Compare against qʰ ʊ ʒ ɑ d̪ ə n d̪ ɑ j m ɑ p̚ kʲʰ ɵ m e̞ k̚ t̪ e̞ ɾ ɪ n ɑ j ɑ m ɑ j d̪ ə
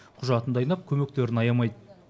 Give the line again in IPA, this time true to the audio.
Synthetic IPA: qʰ ʊ ʒ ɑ t̪ ə n d̪ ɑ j n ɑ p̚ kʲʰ ɵ m e̞ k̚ t̪ e̞ ɾ ɪ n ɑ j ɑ m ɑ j d̪ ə